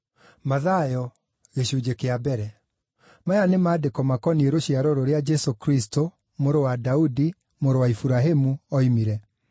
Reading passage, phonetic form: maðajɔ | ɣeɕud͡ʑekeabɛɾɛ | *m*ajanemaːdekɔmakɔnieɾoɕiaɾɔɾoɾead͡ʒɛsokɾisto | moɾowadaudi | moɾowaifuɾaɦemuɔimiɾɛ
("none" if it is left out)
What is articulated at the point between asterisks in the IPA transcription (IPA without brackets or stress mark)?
m